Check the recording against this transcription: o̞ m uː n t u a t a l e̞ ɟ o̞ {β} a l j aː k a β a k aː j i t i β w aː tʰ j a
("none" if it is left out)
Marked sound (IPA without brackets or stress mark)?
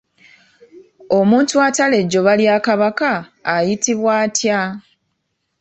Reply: β